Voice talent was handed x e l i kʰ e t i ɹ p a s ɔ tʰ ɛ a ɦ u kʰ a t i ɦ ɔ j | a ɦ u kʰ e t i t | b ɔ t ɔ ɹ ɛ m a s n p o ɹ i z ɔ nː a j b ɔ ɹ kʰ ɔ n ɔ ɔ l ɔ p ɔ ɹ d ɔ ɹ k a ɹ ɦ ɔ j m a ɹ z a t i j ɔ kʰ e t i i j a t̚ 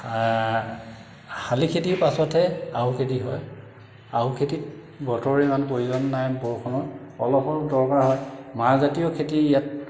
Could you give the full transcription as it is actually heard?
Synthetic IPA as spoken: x a l i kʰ e t i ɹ p a s ɔ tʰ ɛ a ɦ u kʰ e t i ɦ ɔ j | a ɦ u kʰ e t i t | b ɔ t ɔ ɹ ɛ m a n p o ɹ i z ɔ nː a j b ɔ ɹ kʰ ɔ n ɔ ɔ l ɔ p ɔ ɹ d ɔ ɹ k a ɹ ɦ ɔ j m a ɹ z a t i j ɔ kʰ e t i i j a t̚